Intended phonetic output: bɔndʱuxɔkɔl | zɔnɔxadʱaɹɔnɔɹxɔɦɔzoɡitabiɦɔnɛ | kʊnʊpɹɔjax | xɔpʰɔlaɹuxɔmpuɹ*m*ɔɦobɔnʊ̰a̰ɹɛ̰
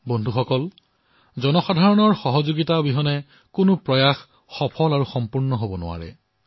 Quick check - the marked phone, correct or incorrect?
incorrect